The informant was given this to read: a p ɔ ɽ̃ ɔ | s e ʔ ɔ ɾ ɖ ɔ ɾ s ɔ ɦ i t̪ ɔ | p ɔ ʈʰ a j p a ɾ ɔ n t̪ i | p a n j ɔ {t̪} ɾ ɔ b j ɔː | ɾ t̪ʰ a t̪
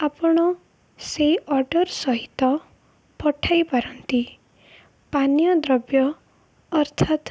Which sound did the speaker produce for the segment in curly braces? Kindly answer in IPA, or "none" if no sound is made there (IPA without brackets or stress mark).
d̪